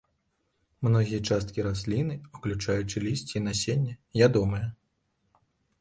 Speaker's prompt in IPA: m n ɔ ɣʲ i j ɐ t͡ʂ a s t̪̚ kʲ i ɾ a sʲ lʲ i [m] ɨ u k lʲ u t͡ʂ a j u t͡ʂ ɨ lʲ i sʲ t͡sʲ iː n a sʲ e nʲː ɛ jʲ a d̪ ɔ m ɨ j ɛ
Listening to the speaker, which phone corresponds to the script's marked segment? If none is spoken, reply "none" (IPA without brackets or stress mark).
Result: n